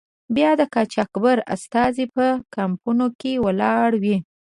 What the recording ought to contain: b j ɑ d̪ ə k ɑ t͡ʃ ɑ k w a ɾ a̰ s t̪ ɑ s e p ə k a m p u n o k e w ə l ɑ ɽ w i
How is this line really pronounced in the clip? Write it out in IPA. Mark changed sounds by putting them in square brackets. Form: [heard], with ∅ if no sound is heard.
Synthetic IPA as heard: b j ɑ d̪ ə k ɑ t͡ʃ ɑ k [b] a ɾ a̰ s t̪ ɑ [z] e p ə k a m p u n o k e w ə l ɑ ɽ w i